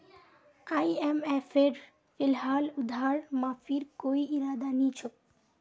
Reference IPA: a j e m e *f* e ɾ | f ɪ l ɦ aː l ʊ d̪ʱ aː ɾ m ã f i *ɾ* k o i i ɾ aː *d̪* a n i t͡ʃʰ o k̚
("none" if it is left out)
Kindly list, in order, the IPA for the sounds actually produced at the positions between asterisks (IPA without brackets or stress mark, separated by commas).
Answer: f, ɾ, d̪